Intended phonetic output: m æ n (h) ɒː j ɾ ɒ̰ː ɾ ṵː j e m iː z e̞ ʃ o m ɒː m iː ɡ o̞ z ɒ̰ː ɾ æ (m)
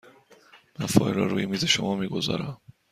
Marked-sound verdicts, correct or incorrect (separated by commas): incorrect, correct